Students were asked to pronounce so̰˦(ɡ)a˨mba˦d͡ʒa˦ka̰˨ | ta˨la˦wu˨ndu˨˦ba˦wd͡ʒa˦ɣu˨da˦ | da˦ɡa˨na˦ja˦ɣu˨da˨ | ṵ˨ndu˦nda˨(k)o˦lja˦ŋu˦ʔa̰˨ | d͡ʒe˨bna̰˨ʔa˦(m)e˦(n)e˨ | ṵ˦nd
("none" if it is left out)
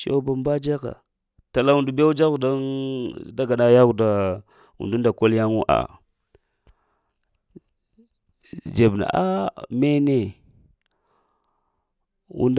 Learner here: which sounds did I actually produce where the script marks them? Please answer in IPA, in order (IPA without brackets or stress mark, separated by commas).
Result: b, k, m, n